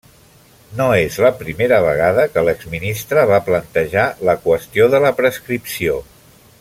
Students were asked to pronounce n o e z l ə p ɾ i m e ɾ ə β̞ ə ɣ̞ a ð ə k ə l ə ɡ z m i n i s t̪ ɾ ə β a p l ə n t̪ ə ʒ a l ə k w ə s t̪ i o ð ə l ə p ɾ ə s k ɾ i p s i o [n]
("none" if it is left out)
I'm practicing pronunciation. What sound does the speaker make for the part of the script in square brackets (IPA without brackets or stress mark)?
none